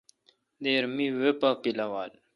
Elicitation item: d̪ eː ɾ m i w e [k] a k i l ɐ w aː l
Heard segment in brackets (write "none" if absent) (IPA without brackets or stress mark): p